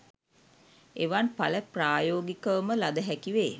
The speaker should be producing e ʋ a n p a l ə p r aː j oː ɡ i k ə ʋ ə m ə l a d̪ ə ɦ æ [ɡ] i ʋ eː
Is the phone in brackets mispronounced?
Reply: yes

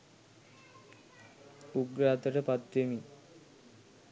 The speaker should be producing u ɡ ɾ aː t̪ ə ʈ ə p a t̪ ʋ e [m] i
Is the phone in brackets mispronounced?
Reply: no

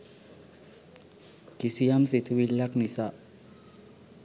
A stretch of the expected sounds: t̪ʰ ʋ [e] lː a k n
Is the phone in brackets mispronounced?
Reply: yes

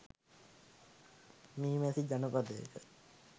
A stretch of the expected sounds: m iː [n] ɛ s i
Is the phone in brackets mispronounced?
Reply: yes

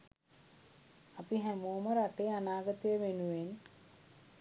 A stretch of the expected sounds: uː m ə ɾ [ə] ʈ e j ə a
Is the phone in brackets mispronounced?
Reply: yes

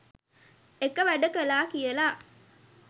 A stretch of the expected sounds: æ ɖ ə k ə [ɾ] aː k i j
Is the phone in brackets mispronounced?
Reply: yes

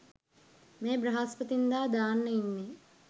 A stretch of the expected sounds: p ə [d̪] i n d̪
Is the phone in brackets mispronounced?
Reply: yes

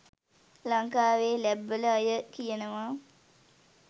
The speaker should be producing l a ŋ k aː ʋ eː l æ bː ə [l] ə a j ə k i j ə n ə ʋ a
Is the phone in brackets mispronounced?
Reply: no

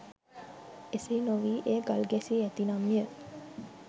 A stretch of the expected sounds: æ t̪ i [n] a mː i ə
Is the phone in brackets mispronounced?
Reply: no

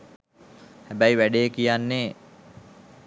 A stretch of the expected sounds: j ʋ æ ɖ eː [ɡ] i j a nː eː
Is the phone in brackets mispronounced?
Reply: yes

